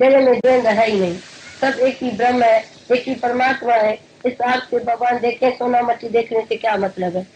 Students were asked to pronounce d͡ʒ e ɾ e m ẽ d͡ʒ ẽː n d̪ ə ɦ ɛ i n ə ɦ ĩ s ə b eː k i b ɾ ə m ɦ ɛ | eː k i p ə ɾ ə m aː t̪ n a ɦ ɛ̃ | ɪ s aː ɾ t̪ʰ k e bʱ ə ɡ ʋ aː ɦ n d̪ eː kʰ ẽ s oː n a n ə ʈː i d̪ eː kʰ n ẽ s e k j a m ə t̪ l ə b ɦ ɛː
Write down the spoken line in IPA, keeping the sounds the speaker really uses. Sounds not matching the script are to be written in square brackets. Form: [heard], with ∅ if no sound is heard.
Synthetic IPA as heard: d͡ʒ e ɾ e m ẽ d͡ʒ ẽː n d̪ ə ɦ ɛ i n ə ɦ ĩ s ə b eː k i b ɾ ə m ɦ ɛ | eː k i p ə ɾ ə m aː t̪ [m] a ɦ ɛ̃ | ɪ s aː ɾ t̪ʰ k e bʱ ə ɡ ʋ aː [∅] n d̪ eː kʰ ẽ s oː n a [m] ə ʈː i d̪ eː kʰ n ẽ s e k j a m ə t̪ l ə b ɦ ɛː

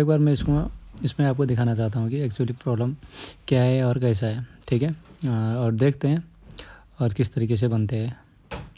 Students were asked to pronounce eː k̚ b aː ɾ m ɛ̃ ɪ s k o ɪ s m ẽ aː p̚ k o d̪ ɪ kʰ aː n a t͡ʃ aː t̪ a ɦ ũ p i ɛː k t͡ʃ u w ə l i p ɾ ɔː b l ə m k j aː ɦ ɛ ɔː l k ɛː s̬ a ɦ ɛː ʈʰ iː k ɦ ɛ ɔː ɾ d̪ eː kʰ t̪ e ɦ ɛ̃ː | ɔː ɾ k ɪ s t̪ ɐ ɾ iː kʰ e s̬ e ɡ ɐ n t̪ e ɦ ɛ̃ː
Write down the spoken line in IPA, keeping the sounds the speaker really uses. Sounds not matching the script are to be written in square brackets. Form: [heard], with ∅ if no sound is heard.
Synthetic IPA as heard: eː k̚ b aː ɾ m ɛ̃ ɪ s k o ɪ s m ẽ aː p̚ k o d̪ ɪ kʰ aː n a t͡ʃ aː t̪ a ɦ ũ [k] i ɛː k t͡ʃ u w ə l i p ɾ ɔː b l ə m k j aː ɦ ɛ ɔː [ɾ] k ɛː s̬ a ɦ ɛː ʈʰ iː k ɦ ɛ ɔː ɾ d̪ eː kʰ t̪ e ɦ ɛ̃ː | ɔː ɾ k ɪ s t̪ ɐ ɾ iː [k] e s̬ e [b] ɐ n t̪ e ɦ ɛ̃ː

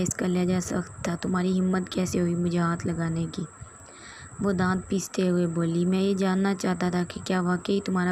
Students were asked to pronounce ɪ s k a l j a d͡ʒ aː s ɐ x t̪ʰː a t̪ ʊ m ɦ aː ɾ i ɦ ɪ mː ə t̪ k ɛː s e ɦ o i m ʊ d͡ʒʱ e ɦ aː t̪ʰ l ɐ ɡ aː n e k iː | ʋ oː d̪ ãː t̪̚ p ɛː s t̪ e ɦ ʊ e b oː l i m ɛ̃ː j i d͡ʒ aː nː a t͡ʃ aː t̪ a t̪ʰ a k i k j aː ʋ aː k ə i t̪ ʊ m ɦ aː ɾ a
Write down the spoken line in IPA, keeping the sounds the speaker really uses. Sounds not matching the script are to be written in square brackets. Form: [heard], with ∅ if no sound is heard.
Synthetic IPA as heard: ɪ s k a l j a d͡ʒ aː s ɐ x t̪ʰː a t̪ ʊ m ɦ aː ɾ i ɦ ɪ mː ə t̪ k ɛː s e ɦ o i m ʊ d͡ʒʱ e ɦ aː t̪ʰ l ɐ ɡ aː n e k iː | ʋ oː d̪ ãː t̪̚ p [iː] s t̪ e ɦ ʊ e b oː l i m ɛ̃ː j [e] d͡ʒ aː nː a t͡ʃ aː t̪ a t̪ʰ a k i k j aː ʋ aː k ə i t̪ ʊ m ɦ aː ɾ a

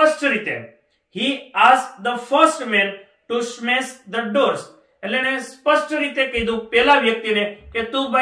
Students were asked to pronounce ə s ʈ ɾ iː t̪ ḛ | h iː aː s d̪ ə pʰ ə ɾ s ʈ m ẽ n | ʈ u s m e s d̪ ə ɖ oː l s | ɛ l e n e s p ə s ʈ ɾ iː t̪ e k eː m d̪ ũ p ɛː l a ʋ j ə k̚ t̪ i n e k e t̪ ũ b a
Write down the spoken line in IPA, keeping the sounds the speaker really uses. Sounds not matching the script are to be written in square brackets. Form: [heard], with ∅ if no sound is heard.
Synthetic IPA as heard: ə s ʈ ɾ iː t̪ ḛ | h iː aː s d̪ ə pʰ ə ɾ s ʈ m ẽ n | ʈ u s m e s d̪ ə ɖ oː [ɾ] s | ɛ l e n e s p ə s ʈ ɾ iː t̪ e k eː [∅] d̪ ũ p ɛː l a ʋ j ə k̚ t̪ i n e k e t̪ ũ b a

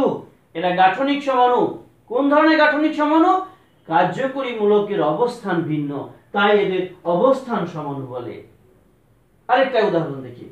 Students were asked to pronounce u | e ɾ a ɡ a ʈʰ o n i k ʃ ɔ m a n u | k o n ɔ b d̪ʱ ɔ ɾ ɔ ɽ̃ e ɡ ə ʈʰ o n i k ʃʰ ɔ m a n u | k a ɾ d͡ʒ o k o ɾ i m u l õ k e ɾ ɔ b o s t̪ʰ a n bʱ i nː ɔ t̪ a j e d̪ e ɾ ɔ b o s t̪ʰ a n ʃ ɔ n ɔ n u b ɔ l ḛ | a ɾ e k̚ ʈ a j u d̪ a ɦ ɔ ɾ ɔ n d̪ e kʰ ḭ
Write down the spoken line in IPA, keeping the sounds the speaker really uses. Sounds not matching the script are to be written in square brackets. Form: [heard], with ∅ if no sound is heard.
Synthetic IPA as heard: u | e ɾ a ɡ a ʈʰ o n i k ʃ ɔ m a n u | k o n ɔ [∅] d̪ʱ ɔ ɾ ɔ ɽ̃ e ɡ [a] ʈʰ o n i k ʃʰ ɔ m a n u | k a ɾ d͡ʒ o k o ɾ i m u l [o] k e ɾ ɔ b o s t̪ʰ a n bʱ i nː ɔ t̪ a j e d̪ e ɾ ɔ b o s t̪ʰ a n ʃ ɔ [m] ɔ n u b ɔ l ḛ | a ɾ e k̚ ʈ a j u d̪ a ɦ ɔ ɾ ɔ n d̪ e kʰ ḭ

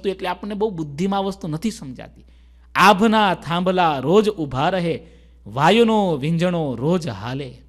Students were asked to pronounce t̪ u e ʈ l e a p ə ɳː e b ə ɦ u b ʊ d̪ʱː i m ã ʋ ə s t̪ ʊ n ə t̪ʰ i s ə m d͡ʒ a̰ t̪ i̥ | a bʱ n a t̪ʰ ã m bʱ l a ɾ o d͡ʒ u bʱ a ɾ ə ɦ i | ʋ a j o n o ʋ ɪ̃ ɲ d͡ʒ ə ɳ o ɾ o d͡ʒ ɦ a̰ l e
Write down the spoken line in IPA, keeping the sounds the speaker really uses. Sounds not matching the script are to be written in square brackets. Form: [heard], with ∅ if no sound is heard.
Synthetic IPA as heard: t̪ u e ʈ l e a p ə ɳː e b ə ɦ u b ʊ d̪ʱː i m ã ʋ ə s t̪ [u] n ə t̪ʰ i s ə m d͡ʒ a̰ t̪ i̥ | a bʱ n a t̪ʰ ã m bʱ l a ɾ o d͡ʒ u bʱ a ɾ ə ɦ [e] | ʋ a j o n o ʋ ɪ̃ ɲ d͡ʒ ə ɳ o ɾ o d͡ʒ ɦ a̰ l e

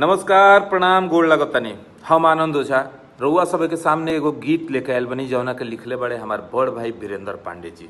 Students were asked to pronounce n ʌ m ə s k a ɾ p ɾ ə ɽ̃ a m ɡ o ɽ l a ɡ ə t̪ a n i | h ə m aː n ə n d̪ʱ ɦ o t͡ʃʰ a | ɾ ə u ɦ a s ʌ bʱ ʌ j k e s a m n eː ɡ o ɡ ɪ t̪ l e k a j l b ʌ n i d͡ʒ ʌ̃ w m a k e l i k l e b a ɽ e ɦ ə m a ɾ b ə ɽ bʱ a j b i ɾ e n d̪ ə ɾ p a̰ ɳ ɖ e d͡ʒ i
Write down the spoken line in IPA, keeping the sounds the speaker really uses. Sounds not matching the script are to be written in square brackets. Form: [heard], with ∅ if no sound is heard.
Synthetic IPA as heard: n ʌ m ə s k a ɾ p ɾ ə ɽ̃ a m ɡ o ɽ l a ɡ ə t̪ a n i | h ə m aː n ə n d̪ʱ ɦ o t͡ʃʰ a | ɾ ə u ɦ a s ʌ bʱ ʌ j k e s a m n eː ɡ o ɡ [i] t̪ l e k a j l b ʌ n i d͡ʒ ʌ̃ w [n] a k e l i [kʰ] l e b a ɽ e ɦ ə m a ɾ b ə ɽ bʱ a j b i ɾ e n d̪ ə ɾ p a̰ ɳ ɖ e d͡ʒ i

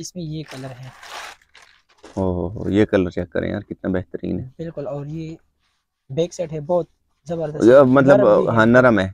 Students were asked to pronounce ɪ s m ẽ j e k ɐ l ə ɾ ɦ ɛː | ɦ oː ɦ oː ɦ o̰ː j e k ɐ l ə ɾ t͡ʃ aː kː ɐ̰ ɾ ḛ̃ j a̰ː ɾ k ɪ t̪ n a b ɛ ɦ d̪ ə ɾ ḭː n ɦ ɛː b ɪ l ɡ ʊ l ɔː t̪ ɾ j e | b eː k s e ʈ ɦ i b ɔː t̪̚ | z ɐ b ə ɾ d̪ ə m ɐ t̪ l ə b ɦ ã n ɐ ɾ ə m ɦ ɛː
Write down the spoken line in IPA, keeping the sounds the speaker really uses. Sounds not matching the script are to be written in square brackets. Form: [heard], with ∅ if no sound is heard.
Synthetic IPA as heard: ɪ s m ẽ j e k ɐ l ə ɾ ɦ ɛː | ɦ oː ɦ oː ɦ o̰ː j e k ɐ l ə ɾ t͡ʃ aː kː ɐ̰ ɾ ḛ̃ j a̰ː ɾ k ɪ t̪ n a b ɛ ɦ [t̪] ə ɾ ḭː n ɦ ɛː b ɪ l [k] ʊ l ɔː [∅] ɾ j e | b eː k s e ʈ ɦ [ɛ] b ɔː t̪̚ | z ɐ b ə ɾ d̪ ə m ɐ t̪ l ə b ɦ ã n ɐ ɾ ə m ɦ ɛː

